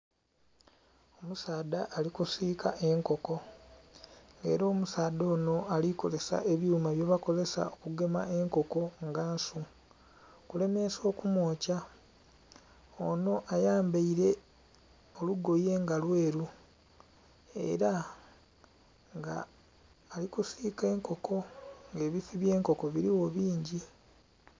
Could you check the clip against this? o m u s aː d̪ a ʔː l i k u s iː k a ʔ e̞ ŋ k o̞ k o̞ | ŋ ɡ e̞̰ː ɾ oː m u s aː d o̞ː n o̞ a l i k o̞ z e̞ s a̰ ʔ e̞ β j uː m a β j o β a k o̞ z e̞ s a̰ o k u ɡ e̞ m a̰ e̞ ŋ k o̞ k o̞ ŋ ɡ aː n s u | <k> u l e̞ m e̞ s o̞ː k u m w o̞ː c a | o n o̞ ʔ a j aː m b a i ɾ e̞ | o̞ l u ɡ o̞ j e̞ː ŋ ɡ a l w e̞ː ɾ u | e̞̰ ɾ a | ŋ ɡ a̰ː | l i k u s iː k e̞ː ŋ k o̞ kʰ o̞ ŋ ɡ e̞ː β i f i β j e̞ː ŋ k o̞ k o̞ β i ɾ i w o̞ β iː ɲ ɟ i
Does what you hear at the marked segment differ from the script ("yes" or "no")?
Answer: no